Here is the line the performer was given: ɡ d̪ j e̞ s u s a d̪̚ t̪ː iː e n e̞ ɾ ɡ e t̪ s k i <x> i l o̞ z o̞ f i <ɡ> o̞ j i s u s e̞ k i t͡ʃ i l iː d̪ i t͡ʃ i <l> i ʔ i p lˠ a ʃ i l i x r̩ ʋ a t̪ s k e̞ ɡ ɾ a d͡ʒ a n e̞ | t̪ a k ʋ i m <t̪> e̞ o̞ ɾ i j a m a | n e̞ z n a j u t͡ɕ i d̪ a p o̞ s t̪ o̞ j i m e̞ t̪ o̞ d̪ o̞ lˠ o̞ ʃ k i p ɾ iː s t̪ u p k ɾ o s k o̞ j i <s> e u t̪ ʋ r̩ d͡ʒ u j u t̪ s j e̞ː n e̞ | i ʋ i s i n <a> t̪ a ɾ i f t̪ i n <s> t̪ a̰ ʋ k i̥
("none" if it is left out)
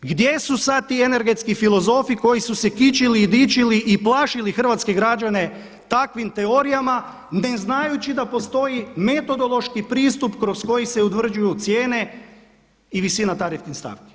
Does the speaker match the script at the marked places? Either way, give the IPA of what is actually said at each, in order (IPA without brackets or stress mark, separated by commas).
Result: f, k, l, t̪, s, a, s